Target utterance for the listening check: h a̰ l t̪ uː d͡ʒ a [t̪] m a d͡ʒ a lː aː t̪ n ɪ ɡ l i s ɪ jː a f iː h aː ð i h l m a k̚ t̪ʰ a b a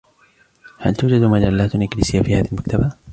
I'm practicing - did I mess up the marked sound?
yes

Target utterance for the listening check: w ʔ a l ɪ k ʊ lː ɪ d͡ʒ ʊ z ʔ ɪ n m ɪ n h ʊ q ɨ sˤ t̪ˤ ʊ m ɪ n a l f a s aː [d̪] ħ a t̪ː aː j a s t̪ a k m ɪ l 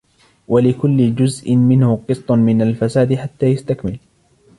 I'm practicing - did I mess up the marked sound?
no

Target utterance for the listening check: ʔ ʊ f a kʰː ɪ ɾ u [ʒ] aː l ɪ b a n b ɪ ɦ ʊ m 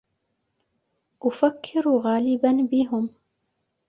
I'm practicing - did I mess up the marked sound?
yes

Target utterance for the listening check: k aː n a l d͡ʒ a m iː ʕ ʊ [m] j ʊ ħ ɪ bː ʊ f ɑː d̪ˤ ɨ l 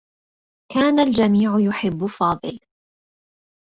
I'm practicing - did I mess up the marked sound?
yes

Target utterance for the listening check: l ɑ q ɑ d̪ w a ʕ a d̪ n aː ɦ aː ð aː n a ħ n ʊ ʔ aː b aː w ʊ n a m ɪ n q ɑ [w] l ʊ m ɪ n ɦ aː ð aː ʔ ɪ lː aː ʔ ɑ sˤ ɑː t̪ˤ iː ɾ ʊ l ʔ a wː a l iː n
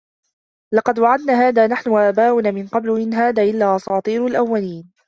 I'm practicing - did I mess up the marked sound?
yes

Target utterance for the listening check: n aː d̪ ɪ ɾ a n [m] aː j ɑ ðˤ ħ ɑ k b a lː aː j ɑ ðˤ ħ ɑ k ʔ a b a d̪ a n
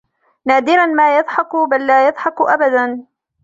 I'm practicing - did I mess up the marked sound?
no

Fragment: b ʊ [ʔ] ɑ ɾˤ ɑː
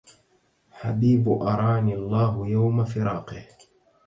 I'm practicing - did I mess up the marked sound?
no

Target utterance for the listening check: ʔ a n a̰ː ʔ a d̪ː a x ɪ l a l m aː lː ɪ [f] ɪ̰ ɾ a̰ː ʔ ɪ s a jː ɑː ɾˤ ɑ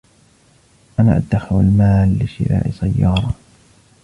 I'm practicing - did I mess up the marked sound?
yes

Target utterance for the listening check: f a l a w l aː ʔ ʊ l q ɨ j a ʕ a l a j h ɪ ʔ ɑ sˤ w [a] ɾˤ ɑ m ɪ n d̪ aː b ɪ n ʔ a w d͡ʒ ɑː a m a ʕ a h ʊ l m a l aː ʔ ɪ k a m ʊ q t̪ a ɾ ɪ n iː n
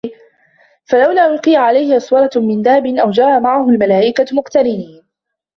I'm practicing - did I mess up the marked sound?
yes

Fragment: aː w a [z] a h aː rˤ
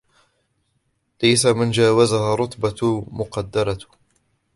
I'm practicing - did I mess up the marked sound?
no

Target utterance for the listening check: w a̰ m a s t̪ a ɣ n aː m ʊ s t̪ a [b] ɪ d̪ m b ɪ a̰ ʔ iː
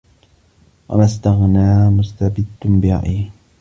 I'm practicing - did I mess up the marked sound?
no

